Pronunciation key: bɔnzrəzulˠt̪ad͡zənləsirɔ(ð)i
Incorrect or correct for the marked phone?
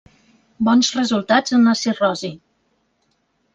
incorrect: z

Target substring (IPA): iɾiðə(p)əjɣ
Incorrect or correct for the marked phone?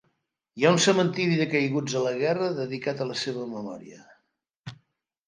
incorrect: k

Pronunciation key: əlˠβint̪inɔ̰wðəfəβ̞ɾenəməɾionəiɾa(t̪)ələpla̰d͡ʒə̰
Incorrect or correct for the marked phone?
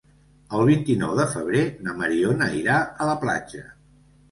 incorrect: none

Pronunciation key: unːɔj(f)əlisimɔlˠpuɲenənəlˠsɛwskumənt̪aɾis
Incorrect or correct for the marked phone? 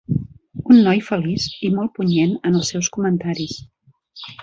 correct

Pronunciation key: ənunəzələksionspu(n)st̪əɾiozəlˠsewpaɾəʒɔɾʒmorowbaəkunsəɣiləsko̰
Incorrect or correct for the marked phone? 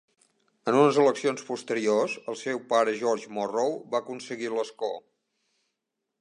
incorrect: none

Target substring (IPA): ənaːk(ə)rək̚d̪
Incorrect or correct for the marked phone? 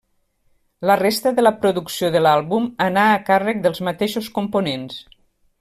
incorrect: a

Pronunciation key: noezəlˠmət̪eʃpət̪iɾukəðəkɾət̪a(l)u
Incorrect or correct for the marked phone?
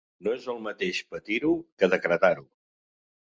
incorrect: ɾ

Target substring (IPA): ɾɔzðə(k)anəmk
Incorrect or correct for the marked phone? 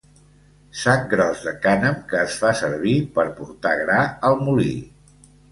correct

